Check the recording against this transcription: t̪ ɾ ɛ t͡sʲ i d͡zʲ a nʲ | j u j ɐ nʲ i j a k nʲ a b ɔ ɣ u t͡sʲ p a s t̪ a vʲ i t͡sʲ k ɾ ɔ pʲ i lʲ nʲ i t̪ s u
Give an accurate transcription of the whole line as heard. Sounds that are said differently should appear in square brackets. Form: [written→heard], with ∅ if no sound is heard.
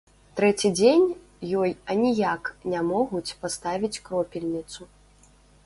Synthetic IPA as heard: t̪ ɾ ɛ t͡sʲ i d͡zʲ [a→e] nʲ | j [u→ɔ] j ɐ nʲ i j a k nʲ a [b→m] ɔ ɣ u t͡sʲ p a s t̪ a vʲ i t͡sʲ k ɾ ɔ pʲ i lʲ nʲ i t̪ s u